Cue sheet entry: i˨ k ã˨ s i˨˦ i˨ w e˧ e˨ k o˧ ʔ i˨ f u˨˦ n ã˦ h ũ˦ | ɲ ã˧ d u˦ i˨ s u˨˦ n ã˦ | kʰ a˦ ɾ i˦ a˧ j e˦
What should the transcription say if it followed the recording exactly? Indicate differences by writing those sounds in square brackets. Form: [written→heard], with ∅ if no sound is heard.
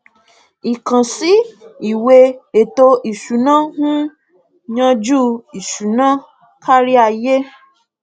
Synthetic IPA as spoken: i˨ k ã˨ s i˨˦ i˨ w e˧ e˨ [k→t] o˧ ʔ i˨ [f→ʃ] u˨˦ n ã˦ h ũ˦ | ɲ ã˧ [d→d͡ʒ] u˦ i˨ [s→ʃ] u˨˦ n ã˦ | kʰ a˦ ɾ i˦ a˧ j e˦